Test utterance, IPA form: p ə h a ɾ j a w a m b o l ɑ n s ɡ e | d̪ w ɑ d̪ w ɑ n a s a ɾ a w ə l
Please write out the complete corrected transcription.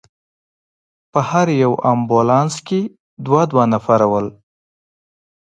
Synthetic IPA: p ə h a ɾ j a w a m b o l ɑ n s k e | d̪ w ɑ d̪ w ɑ n a f a ɾ a w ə l